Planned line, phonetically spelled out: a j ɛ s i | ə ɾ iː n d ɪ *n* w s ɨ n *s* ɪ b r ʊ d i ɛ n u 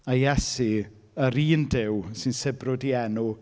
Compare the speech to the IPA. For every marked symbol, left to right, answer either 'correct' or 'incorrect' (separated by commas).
incorrect, correct